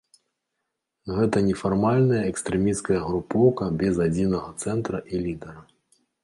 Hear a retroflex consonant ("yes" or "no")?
no